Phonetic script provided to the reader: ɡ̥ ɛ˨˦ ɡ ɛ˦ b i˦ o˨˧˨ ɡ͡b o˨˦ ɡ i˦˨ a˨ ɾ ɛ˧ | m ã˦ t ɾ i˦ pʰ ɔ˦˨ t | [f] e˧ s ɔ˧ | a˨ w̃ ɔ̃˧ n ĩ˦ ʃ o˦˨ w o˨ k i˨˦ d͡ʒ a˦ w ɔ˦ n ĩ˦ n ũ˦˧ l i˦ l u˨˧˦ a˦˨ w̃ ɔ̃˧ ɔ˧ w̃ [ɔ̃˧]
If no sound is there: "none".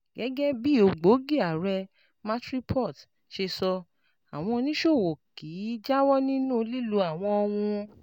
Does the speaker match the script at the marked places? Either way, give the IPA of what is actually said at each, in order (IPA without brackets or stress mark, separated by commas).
ʃ, ũ˧